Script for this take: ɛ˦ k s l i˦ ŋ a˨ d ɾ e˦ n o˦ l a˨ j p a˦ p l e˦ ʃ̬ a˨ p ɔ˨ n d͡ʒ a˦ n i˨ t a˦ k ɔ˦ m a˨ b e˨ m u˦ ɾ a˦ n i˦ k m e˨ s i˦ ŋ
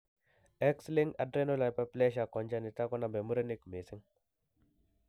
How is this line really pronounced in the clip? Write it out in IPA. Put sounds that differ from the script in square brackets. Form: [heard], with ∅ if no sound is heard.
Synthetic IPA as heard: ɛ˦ k s l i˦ ŋ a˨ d ɾ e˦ n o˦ l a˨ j p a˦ p l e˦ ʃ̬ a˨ [k] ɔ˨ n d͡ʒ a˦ n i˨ t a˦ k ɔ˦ [n] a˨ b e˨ m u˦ ɾ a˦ n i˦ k m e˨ s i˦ ŋ